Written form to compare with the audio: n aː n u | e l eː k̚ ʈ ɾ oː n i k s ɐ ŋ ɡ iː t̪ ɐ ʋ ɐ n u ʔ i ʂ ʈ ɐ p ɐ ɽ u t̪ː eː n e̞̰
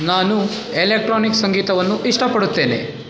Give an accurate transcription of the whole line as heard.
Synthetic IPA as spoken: n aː n u | e l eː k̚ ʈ ɾ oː n i k s ɐ ŋ ɡ iː t̪ ɐ ʋ ɐ nː u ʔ i ʂ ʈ ɐ p ɐ ɽ u t̪ː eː n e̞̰